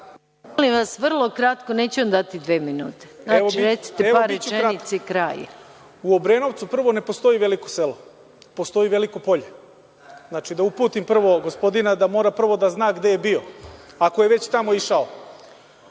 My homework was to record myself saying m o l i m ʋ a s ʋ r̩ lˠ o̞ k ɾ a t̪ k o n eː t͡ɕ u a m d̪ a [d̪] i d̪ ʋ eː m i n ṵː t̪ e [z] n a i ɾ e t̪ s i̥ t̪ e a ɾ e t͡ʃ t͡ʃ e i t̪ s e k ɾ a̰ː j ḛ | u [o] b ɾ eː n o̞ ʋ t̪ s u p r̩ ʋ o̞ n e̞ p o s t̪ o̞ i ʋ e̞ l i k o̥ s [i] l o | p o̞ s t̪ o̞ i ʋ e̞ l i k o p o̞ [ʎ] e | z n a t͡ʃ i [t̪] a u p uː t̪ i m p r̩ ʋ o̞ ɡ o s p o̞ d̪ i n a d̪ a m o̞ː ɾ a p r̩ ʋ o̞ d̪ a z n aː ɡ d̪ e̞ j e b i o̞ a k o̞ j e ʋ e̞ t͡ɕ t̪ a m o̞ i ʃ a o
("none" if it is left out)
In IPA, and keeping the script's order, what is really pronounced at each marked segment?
t̪, z, o, e, ʎ, d̪

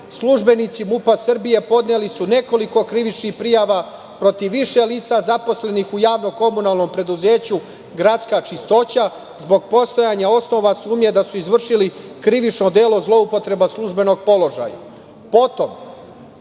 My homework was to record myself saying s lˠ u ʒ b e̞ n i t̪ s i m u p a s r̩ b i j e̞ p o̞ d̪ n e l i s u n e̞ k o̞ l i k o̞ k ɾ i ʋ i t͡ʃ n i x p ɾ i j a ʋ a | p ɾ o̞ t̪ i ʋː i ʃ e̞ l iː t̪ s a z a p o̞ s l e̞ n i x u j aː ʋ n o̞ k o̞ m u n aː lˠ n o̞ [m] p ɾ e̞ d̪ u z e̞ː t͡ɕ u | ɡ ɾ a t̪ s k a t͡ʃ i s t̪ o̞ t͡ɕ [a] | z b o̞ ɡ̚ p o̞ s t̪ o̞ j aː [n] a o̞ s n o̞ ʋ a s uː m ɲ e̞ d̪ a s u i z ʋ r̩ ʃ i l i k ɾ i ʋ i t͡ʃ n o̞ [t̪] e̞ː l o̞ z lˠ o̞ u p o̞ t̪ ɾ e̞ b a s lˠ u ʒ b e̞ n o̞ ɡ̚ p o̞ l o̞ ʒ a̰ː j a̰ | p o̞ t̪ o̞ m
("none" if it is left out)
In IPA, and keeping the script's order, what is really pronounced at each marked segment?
m, a, ɲ, d̪

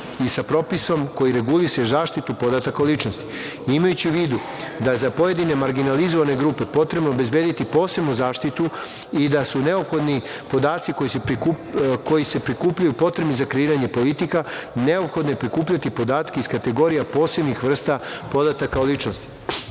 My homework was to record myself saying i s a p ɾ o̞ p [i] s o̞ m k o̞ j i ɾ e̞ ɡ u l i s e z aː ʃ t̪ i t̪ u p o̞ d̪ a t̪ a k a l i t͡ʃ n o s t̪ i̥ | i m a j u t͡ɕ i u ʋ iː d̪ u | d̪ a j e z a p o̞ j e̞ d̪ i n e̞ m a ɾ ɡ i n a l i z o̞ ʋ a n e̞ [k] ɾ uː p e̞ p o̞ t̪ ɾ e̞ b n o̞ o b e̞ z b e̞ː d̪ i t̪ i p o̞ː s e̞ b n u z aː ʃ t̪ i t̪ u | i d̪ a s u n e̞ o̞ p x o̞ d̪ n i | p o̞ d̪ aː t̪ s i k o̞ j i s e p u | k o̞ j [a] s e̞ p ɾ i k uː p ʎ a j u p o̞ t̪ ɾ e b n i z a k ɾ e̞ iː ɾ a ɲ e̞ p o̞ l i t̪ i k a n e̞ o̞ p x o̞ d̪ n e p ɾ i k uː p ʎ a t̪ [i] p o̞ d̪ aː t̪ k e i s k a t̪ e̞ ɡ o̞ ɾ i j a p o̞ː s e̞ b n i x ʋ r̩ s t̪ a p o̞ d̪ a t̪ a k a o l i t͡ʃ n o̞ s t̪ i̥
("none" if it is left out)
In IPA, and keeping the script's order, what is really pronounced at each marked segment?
i, ɡ, i, i

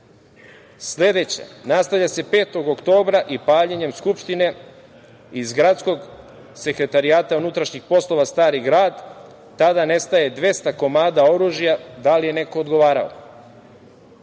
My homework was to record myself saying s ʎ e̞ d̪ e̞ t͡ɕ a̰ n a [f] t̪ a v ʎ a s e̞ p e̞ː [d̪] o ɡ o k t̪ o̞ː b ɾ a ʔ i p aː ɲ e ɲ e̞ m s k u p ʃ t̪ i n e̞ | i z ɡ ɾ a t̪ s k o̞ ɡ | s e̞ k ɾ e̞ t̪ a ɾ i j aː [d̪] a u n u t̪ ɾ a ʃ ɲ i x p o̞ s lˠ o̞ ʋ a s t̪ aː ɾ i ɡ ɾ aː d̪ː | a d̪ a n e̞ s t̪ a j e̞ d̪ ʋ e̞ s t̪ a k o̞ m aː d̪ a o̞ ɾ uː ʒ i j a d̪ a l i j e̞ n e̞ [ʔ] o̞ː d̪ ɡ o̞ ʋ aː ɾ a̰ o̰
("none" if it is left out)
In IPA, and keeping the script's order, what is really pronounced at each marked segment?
s, t̪, t̪, k

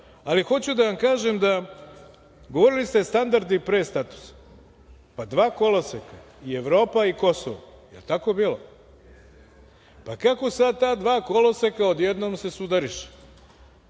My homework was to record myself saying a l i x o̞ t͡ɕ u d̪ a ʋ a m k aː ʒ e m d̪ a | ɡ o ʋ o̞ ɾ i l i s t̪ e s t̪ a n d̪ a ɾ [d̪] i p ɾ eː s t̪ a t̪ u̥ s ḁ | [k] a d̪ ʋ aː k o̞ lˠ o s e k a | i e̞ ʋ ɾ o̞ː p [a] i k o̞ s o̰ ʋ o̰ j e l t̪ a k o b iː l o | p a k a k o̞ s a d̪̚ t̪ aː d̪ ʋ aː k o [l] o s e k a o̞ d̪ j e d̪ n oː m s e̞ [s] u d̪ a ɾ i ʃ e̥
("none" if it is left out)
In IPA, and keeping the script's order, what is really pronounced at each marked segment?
d̪, p, a, l, s

